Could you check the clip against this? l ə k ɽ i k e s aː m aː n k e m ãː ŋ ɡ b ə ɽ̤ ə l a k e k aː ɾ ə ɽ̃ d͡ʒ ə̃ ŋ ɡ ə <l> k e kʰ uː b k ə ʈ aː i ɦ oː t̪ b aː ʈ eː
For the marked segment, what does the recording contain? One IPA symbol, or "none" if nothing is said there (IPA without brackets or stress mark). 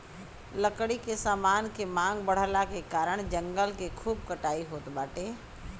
l